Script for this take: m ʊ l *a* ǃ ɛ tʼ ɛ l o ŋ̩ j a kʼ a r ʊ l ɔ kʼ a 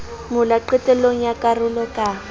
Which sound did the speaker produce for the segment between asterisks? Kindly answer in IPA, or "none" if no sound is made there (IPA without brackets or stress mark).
a